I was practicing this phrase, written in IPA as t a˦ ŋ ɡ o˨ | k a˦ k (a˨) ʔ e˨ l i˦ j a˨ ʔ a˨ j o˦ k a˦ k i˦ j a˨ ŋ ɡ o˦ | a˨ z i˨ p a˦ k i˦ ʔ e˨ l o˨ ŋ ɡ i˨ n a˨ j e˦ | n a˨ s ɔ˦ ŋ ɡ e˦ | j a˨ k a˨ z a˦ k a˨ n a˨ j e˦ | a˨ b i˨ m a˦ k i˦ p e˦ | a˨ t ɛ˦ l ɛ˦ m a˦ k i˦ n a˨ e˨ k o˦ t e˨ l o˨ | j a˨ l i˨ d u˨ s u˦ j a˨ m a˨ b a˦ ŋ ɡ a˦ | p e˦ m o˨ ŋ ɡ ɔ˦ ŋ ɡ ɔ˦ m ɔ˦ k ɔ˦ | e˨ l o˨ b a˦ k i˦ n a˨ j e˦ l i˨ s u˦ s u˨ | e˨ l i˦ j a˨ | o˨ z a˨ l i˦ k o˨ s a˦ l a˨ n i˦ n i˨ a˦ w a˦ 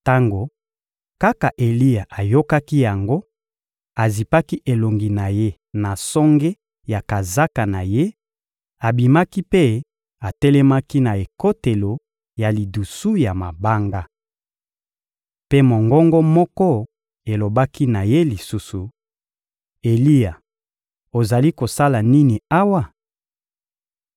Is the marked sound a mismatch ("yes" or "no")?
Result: no